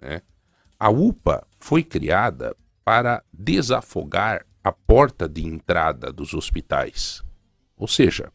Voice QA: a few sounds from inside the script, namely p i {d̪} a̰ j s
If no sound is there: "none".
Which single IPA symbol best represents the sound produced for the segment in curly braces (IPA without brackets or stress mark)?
t̪